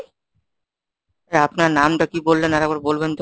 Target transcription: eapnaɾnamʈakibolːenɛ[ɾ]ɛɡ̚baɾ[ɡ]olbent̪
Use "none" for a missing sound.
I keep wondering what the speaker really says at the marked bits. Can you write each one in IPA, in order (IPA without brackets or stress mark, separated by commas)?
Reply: ɾ, b